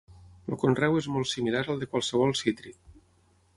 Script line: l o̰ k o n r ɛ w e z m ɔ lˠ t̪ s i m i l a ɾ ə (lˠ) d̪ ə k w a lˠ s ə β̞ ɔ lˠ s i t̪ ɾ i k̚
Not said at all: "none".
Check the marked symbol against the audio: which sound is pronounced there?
lˠ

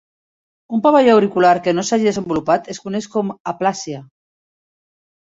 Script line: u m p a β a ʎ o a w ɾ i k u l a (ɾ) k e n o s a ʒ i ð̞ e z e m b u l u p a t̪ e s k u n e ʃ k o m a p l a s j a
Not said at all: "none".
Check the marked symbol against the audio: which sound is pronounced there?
ɾ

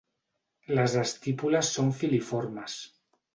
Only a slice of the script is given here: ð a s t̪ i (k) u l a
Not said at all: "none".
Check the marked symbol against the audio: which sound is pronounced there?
p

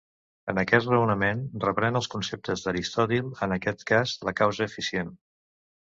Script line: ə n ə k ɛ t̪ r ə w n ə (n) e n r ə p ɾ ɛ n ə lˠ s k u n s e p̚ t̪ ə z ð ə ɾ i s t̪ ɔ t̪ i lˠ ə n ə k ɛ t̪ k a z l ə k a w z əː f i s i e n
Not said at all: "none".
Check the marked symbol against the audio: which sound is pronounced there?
m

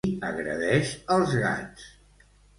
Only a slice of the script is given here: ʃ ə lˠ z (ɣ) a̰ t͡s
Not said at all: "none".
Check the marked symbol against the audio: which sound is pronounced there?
ɣ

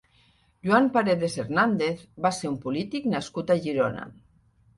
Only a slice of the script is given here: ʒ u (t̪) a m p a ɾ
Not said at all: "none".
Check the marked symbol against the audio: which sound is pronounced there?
none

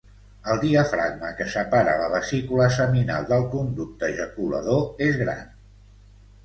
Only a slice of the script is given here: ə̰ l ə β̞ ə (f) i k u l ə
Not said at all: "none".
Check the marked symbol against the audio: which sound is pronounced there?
s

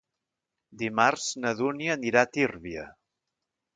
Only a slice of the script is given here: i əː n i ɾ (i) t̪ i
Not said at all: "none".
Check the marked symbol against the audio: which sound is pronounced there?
a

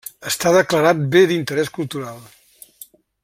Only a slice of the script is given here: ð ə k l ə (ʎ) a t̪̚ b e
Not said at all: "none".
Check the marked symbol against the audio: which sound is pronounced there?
ɾ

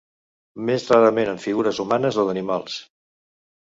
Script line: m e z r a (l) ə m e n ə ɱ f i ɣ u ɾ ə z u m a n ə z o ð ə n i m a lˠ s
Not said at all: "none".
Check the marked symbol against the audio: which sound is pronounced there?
ɾ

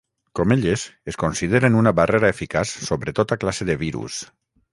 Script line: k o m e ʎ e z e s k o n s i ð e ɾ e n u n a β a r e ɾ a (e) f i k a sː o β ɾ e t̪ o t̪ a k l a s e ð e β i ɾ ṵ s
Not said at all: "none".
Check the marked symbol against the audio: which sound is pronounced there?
e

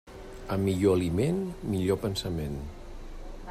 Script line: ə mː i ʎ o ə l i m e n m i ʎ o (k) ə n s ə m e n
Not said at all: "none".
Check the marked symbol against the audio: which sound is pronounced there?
p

